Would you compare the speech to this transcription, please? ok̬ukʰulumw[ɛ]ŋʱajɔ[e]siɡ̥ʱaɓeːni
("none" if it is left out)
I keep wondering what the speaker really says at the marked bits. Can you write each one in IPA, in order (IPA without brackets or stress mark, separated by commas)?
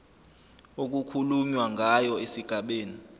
a, e